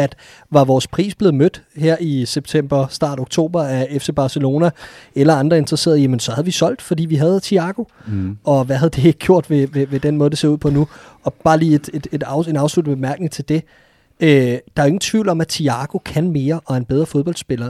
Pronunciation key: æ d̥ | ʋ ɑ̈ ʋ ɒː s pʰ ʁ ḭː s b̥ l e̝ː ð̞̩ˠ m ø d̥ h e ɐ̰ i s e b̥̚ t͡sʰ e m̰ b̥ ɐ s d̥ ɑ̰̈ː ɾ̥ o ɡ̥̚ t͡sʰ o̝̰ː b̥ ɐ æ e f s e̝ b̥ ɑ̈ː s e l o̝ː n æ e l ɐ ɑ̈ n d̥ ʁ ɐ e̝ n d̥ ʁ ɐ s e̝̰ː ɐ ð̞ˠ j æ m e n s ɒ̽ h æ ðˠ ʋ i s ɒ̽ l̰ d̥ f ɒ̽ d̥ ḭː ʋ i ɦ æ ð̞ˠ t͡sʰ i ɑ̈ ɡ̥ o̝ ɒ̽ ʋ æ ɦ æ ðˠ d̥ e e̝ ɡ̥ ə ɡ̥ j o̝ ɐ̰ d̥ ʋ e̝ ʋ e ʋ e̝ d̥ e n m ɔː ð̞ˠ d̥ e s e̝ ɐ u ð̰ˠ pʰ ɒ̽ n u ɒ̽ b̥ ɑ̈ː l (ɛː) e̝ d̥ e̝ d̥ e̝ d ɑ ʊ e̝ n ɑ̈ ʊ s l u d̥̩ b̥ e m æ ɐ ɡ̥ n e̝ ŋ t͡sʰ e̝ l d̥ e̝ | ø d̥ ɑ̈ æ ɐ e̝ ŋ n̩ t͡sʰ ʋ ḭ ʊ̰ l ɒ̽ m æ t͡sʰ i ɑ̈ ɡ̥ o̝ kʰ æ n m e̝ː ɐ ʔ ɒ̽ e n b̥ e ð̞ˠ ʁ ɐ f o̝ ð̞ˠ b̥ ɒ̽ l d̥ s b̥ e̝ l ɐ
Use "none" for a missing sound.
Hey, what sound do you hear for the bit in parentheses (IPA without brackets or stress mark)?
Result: iː